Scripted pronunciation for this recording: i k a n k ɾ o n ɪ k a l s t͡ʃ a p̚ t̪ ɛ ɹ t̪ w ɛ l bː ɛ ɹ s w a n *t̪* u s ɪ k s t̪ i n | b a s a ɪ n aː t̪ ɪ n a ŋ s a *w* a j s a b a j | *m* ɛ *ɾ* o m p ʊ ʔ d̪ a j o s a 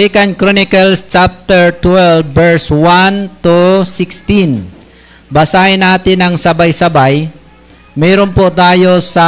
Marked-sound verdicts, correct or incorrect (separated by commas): correct, incorrect, correct, correct